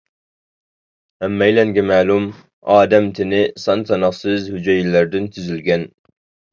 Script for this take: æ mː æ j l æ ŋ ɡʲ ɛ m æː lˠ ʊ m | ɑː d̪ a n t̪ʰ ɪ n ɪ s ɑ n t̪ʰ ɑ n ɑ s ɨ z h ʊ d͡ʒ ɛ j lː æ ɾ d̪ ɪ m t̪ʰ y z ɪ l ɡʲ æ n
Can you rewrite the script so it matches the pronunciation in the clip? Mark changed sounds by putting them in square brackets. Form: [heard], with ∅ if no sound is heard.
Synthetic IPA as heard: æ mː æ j l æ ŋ ɡʲ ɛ m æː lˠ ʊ m | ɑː d̪ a [m] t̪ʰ ɪ n ɪ s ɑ n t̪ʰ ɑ n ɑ s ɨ z h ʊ d͡ʒ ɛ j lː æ ɾ d̪ ɪ [n] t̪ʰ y z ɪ l ɡʲ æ n